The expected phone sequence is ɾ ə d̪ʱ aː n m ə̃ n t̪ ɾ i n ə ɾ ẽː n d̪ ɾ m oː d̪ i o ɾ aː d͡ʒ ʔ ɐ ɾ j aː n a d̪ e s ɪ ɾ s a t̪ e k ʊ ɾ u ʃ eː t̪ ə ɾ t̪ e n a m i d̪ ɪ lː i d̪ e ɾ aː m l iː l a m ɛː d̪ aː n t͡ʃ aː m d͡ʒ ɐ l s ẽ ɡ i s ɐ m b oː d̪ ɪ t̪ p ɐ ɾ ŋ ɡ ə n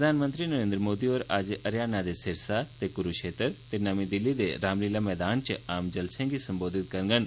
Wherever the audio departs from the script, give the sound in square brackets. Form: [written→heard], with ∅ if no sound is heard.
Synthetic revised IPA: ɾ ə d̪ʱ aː n m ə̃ n t̪ ɾ i n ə ɾ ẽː n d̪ ɾ m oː d̪ i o ɾ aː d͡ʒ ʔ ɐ ɾ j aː n a d̪ e s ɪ ɾ s a t̪ e k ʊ ɾ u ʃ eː t̪ ə ɾ t̪ e n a m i d̪ ɪ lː i d̪ e ɾ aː m l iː l a m ɛː d̪ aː n t͡ʃ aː m d͡ʒ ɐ l s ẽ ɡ i s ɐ m b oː d̪ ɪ t̪ [p→k] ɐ ɾ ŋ ɡ ə n